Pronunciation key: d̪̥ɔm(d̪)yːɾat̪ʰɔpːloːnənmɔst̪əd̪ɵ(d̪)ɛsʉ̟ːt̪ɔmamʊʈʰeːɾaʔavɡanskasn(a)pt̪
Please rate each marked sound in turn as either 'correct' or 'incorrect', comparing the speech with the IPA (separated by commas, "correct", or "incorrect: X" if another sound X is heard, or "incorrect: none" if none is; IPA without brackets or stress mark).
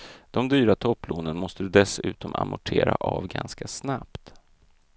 correct, correct, correct